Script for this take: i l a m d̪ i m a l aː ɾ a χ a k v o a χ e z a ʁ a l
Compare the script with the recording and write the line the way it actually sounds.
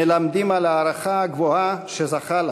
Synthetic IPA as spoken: e l a m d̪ i m a l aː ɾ a χ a ɡ v o a ʃ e z a χ a l